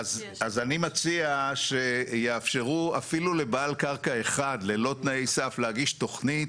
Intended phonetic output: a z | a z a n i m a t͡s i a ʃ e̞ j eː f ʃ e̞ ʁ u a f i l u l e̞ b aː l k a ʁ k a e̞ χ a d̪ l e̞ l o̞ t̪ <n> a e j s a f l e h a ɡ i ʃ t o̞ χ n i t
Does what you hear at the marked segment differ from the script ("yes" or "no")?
no